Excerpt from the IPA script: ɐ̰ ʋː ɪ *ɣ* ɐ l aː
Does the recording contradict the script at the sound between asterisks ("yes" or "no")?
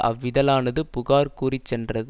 yes